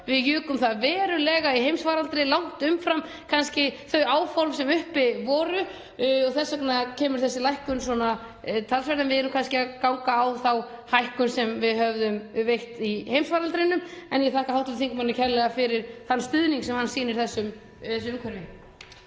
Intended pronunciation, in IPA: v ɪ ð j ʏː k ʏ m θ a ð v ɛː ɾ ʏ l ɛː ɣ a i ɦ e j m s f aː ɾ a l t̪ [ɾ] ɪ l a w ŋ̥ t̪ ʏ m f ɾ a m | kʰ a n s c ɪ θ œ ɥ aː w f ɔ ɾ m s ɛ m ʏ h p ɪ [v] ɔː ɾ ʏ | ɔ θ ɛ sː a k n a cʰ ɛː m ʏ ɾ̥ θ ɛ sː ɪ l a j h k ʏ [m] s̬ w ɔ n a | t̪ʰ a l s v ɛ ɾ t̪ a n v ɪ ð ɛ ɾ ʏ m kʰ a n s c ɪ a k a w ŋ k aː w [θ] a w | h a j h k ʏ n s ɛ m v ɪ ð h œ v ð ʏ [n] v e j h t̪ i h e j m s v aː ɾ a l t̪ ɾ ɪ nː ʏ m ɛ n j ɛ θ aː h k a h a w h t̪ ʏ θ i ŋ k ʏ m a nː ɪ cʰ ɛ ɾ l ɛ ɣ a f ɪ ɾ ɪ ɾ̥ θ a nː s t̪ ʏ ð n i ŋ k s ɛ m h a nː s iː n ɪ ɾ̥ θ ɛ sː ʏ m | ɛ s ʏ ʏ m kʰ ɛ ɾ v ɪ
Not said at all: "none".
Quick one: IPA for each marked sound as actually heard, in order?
ɾ, v, n, θ, m

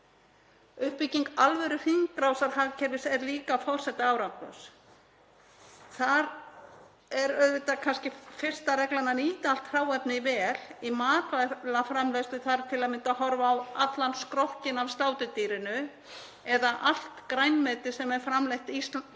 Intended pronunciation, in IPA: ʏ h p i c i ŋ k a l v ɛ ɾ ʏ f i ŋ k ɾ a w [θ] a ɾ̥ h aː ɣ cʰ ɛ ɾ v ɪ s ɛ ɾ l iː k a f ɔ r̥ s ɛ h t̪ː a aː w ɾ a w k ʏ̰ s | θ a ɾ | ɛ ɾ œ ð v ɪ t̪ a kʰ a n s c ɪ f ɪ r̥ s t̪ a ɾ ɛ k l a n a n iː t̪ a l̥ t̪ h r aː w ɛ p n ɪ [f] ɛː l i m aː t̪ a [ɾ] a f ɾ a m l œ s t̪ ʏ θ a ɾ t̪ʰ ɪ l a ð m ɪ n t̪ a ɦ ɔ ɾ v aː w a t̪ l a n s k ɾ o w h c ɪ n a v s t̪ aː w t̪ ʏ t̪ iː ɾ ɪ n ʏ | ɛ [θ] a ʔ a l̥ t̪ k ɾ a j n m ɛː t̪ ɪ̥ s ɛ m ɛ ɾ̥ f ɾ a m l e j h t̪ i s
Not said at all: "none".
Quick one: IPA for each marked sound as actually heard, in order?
s, v, l, ð

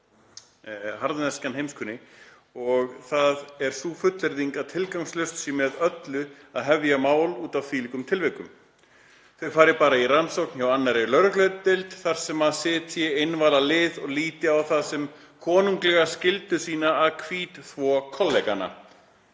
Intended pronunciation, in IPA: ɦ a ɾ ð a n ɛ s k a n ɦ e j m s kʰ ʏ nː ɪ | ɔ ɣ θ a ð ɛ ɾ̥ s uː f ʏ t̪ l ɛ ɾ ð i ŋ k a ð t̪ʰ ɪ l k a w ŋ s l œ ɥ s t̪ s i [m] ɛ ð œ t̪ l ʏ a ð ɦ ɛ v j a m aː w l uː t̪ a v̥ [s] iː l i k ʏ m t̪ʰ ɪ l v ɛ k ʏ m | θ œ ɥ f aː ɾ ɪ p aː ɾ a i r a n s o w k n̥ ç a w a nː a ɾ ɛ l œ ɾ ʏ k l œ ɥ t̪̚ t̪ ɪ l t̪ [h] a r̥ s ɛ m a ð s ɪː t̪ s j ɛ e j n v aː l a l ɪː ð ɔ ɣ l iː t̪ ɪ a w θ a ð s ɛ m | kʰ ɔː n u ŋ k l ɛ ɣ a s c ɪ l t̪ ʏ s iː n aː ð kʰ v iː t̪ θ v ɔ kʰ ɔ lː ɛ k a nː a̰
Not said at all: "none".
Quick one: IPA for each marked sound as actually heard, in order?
m, f, θ

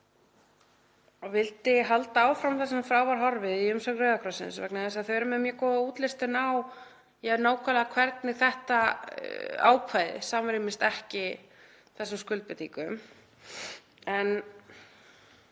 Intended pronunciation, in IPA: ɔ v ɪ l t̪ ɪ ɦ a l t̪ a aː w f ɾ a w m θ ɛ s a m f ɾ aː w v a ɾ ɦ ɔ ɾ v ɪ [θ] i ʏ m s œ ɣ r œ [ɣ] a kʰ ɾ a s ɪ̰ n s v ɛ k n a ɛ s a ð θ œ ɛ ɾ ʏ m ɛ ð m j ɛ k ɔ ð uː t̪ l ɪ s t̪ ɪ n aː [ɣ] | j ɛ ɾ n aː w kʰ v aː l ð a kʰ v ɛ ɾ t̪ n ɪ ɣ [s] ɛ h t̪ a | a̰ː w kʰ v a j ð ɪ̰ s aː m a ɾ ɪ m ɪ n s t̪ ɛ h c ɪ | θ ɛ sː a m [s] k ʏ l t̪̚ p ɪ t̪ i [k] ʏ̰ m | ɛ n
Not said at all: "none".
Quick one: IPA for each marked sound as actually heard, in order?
ð, ð, w, θ, s, k

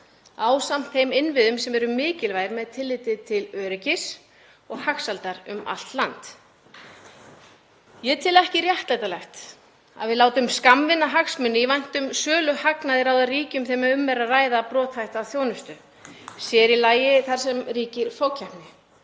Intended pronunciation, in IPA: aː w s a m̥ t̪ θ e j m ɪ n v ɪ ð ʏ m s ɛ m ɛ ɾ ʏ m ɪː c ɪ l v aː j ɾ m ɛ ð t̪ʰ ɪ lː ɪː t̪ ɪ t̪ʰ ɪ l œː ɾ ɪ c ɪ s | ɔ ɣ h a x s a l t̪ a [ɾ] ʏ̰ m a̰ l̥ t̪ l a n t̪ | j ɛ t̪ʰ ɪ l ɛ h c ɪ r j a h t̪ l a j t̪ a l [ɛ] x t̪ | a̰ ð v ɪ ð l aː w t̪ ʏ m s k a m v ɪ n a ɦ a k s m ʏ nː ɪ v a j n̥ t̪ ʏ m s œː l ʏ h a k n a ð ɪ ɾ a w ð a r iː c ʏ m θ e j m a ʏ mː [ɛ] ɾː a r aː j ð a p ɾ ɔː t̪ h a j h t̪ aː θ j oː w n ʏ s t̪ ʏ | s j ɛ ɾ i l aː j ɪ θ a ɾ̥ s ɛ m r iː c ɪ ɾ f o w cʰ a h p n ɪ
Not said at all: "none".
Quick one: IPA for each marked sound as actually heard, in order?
ɾ, ɛ, ɛ

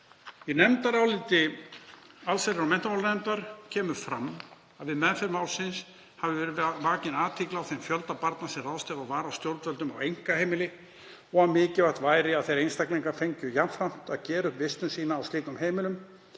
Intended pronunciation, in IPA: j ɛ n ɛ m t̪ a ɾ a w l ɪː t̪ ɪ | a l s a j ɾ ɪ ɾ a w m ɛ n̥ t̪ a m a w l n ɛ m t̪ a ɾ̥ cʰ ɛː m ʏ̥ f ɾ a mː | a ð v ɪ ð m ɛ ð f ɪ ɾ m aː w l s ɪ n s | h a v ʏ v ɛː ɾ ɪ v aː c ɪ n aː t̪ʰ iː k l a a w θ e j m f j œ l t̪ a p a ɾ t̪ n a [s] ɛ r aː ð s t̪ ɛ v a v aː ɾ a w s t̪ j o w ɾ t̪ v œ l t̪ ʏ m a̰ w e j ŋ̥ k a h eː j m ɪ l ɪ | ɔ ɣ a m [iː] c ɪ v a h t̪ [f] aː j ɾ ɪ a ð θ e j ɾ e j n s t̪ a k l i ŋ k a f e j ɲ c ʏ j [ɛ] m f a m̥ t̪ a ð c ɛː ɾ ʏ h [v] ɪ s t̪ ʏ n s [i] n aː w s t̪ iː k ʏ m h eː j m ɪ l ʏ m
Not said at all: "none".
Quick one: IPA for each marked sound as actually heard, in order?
s, ɪː, v, a, v, iː

